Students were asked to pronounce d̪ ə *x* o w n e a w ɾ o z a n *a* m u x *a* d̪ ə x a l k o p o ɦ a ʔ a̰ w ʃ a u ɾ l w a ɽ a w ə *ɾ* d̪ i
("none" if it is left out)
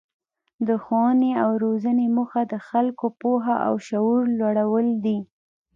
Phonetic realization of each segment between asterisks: x, e, a, l

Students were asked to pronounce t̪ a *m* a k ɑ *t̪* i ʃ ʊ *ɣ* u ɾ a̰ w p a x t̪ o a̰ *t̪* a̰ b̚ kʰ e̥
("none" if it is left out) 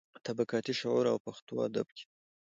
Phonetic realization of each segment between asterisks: b, t̪, ʕ, d̪

